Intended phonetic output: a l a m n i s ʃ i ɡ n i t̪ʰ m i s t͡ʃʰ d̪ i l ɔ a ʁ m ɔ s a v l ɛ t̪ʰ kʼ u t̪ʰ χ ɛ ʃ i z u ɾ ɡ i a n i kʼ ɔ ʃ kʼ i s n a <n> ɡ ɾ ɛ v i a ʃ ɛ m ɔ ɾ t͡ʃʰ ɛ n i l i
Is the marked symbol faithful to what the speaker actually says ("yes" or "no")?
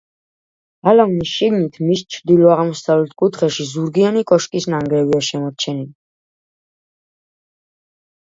no